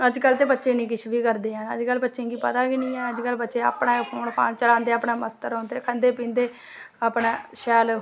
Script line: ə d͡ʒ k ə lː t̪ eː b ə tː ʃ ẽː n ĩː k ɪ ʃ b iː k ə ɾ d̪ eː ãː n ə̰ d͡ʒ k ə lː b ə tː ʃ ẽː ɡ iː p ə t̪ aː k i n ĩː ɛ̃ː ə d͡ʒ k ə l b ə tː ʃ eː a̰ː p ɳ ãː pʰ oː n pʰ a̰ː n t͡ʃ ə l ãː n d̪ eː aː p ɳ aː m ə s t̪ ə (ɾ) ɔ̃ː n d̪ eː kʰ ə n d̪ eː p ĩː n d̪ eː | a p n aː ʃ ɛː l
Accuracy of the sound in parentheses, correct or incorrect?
correct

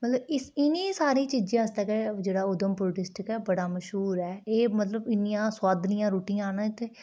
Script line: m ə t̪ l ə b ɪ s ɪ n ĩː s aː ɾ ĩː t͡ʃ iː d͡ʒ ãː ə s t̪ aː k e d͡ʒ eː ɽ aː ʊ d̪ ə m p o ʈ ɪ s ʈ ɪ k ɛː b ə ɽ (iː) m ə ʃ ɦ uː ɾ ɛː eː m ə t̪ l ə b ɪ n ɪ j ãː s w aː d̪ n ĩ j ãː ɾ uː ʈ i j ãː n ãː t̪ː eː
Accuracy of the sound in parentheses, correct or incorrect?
incorrect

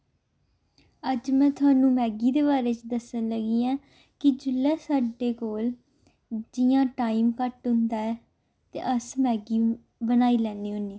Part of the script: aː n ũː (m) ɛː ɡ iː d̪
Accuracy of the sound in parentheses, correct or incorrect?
correct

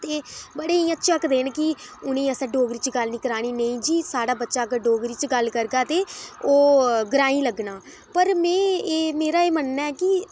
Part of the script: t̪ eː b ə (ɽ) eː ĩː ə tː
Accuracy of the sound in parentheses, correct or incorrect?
correct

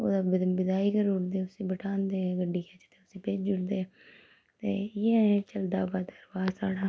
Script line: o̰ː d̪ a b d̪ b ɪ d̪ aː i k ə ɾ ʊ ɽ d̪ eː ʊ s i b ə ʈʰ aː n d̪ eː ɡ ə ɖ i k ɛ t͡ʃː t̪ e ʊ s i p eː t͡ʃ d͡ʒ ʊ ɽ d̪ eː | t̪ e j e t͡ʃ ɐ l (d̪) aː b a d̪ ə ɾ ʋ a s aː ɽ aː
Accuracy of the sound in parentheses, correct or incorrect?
correct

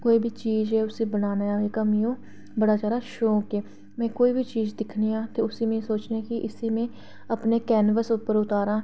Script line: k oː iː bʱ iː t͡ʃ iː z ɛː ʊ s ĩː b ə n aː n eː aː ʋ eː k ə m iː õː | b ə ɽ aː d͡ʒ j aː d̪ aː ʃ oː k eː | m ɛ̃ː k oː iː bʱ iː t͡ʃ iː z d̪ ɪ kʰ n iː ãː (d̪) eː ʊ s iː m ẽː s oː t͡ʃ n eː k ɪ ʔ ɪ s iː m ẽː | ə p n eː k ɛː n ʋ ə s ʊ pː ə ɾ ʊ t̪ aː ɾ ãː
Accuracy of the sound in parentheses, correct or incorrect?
incorrect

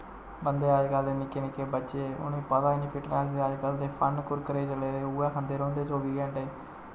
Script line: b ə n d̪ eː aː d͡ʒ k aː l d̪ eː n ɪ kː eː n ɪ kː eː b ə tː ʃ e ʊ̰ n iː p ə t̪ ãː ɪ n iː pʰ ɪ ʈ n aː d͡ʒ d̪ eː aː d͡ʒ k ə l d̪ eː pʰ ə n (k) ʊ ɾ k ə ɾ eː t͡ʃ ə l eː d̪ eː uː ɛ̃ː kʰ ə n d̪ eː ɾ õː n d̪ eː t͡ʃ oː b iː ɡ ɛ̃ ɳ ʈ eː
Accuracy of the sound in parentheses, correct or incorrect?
correct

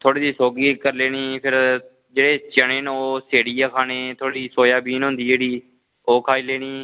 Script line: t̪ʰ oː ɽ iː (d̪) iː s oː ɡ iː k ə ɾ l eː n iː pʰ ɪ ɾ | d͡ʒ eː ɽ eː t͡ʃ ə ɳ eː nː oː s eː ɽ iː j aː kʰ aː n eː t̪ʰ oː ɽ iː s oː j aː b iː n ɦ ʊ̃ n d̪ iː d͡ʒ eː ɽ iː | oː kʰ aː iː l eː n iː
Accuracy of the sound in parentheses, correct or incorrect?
correct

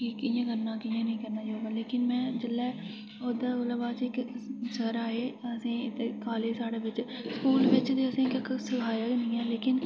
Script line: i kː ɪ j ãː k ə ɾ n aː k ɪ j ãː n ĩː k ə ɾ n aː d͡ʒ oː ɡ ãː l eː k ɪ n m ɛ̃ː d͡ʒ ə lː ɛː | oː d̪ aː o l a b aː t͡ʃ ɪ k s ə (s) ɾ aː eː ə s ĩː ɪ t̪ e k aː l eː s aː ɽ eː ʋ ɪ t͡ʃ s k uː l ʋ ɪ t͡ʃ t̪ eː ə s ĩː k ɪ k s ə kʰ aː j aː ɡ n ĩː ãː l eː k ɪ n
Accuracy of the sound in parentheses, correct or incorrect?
incorrect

